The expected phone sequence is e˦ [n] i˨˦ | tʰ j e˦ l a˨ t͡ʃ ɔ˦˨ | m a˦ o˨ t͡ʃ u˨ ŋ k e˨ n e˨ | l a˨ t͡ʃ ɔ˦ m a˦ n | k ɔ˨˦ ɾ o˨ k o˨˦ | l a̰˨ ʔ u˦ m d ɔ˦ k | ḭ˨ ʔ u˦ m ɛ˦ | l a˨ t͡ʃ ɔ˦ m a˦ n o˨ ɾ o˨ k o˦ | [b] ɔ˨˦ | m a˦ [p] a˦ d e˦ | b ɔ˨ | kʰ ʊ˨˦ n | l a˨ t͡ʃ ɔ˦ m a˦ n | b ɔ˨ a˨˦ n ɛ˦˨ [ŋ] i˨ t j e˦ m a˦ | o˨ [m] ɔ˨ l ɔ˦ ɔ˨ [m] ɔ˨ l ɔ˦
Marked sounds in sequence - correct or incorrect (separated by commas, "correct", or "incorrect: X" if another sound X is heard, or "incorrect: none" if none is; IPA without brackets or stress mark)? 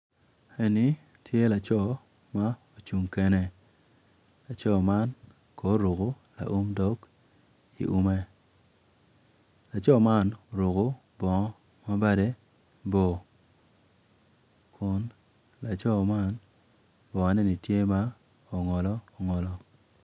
correct, correct, incorrect: b, incorrect: n, incorrect: ŋ, incorrect: ŋ